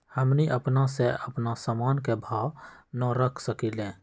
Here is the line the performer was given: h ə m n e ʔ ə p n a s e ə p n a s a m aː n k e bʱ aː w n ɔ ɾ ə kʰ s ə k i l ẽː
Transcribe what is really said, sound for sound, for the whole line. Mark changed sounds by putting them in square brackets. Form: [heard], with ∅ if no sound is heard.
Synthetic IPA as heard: h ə m n [i] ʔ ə p n a s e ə p n a s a m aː n k e bʱ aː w n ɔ ɾ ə kʰ s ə k i l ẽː